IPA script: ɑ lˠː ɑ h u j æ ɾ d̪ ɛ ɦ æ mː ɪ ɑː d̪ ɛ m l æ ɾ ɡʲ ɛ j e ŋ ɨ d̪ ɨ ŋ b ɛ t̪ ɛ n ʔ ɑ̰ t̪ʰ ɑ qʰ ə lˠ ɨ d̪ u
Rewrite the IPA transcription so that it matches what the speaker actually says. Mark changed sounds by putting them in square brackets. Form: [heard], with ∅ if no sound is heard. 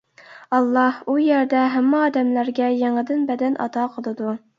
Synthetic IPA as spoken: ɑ lˠː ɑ h u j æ ɾ d̪ ɛ ɦ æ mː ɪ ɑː d̪ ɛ m l æ ɾ ɡʲ ɛ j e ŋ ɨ d̪ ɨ [n] b ɛ [d̪] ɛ n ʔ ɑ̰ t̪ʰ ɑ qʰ ə lˠ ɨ d̪ u